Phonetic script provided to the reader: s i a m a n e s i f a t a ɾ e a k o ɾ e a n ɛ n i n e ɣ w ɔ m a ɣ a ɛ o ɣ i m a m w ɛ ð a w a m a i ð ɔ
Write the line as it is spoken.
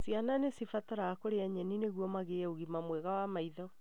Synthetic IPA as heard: s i a n a n e s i f a t a ɾ a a k o ɾ e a ɲ ɛ n i n e ɣ w ɔ m a ɣ e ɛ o ɣ i m a m w ɛ ɣ a w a m a i ð ɔ